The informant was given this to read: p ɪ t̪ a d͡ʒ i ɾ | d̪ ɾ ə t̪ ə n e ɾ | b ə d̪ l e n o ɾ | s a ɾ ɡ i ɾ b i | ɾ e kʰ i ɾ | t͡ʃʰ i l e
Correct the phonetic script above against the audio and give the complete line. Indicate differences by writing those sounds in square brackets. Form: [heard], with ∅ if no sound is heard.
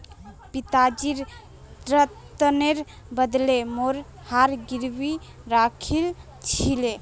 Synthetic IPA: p [i] t̪ a d͡ʒ i ɾ | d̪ ɾ ə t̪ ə n e ɾ | b ə d̪ l e [m] o ɾ | [h] a ɾ ɡ i ɾ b i | ɾ [a] kʰ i [l] | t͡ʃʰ i l e